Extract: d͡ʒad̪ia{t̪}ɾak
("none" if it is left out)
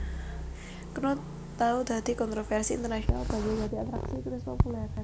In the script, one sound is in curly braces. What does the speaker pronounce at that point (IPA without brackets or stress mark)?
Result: t̪